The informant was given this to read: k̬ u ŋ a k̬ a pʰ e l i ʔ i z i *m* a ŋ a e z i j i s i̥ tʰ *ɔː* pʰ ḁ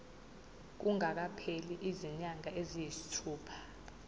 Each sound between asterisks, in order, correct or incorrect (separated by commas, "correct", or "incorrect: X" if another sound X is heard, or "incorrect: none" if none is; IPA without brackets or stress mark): incorrect: ɲ, incorrect: uː